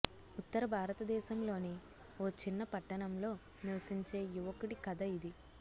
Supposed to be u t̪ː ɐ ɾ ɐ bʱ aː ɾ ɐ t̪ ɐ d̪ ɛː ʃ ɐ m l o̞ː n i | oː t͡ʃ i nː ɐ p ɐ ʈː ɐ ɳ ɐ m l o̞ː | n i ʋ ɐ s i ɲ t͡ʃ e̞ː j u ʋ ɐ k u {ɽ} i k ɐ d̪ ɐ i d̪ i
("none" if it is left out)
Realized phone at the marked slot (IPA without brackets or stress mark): ɽ